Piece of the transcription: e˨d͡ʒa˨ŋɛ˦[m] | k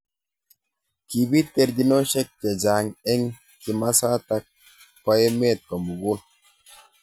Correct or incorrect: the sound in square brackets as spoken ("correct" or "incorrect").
incorrect